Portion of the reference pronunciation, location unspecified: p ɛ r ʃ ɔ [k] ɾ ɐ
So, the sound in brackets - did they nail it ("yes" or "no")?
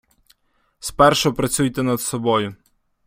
no